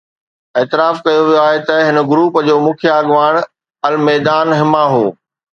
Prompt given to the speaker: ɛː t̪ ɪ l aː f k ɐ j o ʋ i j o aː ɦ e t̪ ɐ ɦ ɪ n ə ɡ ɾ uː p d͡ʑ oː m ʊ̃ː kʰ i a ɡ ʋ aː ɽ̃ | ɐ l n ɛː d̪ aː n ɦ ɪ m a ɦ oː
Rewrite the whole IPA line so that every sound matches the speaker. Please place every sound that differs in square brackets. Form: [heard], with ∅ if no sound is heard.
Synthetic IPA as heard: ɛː t̪ ɪ [ɾ] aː f k ɐ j o ʋ i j o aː ɦ e t̪ ɐ ɦ ɪ n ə ɡ ɾ uː p d͡ʑ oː m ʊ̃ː kʰ [j] a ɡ ʋ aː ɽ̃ | ɐ l [m] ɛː d̪ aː n ɦ ɪ m a ɦ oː